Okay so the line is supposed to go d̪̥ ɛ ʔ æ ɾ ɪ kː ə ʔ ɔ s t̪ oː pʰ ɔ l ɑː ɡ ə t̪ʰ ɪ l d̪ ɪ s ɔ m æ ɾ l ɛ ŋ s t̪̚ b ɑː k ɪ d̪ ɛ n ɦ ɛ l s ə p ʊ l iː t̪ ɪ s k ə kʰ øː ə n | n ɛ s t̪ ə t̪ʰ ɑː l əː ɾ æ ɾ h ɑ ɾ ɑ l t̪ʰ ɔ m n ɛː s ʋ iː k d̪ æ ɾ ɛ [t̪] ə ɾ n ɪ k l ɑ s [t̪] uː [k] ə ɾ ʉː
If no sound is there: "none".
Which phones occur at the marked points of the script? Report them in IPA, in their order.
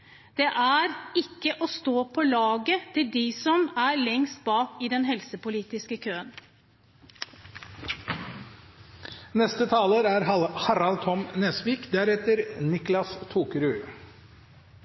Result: t̪, t̪ʰ, k

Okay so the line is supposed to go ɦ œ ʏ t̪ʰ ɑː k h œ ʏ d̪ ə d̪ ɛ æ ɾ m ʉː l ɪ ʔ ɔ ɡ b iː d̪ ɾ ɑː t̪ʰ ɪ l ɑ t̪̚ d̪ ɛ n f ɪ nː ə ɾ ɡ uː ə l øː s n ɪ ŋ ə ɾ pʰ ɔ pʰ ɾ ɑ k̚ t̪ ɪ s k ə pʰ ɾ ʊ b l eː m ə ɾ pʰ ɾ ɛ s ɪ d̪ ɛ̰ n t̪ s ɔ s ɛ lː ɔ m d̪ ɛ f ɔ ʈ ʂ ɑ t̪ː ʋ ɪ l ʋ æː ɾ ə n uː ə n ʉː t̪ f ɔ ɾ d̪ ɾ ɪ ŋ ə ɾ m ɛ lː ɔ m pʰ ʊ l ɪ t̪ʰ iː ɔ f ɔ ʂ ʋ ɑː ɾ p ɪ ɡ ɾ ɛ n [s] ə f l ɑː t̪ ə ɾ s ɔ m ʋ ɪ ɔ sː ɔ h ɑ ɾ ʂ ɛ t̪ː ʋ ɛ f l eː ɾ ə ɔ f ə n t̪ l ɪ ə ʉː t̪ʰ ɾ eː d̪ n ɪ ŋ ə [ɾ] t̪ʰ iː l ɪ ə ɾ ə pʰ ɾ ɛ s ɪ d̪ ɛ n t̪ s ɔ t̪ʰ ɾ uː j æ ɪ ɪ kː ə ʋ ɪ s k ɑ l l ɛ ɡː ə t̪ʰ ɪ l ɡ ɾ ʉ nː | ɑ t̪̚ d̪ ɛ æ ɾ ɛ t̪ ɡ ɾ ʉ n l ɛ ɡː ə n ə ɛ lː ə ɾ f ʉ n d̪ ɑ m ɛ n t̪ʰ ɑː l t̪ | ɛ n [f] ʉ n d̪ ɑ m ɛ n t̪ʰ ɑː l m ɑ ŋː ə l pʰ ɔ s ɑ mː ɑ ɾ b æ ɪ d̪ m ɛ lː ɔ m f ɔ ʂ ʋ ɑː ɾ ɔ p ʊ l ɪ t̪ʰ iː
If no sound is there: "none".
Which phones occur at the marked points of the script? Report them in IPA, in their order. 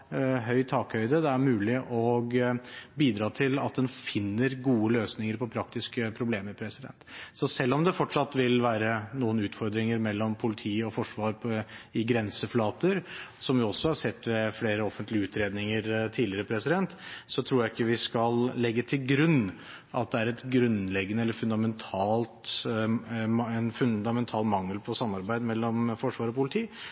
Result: s, ɾ, f

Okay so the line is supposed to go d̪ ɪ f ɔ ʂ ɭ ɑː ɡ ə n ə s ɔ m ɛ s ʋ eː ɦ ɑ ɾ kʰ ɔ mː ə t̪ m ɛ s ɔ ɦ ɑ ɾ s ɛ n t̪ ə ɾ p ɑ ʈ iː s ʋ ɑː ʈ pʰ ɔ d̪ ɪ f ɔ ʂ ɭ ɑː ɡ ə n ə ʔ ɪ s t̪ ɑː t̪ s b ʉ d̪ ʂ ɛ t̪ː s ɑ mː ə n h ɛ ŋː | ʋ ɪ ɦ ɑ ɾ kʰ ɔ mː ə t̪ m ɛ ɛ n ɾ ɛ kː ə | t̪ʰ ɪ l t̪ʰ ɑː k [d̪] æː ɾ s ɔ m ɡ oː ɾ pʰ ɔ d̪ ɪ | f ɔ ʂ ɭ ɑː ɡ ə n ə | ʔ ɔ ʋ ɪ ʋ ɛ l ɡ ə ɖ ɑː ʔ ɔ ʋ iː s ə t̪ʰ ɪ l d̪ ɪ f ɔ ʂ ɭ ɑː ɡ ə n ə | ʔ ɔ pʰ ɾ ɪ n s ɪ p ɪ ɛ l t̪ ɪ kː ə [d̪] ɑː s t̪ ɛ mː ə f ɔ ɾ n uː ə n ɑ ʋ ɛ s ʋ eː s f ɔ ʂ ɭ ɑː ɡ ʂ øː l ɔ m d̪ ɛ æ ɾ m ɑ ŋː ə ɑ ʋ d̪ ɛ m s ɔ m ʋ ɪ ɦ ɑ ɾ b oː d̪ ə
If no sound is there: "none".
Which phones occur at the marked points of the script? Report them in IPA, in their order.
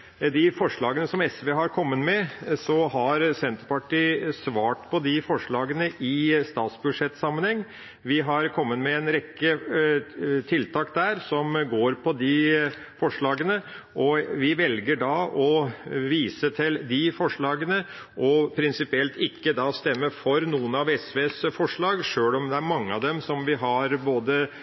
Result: d̪, d̪

